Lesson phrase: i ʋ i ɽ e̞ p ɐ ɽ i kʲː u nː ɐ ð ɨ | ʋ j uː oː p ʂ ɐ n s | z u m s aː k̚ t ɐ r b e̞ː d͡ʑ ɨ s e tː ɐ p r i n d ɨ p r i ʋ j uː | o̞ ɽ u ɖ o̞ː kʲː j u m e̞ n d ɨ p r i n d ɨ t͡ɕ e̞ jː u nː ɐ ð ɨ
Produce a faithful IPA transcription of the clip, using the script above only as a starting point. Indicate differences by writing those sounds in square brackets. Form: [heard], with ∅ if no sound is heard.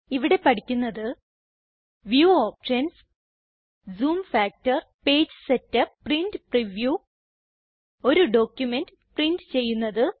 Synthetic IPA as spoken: i ʋ i ɽ e̞ p ɐ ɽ i kʲː u nː ɐ ð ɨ | ʋ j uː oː p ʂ ɐ n s | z [uː] m [f] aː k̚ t ɐ r [p] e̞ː d͡ʑ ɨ s e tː ɐ p r i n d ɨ p r i ʋ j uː | o̞ [ɾ] u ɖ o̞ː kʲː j u m e̞ n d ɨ p r i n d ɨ t͡ɕ e̞ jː u nː ɐ ð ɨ